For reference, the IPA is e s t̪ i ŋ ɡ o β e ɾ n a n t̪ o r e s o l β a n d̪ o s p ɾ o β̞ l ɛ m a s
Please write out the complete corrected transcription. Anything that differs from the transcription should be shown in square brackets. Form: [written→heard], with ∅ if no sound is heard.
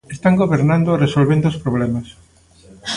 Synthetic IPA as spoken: e s t̪ [i→a] ŋ ɡ o β e ɾ n a n [t̪→d̪] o r e s o l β [a→e] n d̪ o s p ɾ o β̞ l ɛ m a s